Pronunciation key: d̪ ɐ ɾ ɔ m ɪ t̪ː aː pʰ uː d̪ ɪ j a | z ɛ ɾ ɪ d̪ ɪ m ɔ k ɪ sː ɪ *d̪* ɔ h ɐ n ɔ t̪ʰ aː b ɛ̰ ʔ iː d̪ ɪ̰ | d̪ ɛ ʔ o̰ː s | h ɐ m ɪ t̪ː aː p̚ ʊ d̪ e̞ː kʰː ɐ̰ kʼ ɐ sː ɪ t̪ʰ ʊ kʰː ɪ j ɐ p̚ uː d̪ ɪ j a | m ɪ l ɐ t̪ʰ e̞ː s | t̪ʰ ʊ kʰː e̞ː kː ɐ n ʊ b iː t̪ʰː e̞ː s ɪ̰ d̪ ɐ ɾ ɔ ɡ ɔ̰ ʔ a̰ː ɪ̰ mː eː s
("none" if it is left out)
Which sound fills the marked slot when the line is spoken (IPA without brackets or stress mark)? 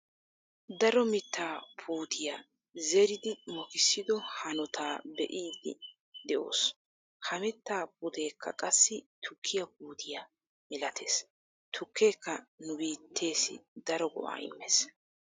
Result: d̪